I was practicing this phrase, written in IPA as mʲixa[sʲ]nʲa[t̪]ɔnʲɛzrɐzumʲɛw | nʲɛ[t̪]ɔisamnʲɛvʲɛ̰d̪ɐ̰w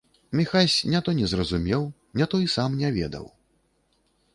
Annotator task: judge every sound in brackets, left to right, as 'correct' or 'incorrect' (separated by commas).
correct, correct, correct